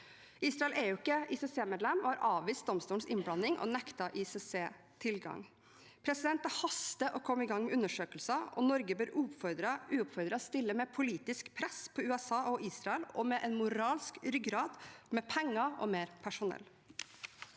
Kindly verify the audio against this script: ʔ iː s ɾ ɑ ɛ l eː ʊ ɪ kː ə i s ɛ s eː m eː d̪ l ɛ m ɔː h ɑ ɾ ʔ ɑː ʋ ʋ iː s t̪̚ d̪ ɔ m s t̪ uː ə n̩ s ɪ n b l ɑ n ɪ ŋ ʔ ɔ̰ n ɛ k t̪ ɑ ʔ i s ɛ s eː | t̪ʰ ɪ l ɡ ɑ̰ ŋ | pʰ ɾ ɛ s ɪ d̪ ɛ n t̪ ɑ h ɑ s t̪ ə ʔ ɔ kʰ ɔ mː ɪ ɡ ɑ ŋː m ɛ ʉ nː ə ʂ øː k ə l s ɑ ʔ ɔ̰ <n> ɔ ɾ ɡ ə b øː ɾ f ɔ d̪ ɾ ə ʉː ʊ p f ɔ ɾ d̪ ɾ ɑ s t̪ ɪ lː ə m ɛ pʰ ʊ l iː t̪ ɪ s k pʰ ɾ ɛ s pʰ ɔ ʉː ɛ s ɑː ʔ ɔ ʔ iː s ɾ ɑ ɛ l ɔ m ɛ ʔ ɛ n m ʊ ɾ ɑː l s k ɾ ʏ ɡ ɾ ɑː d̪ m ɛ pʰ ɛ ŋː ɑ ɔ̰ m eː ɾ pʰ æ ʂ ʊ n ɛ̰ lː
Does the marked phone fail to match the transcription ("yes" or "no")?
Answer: no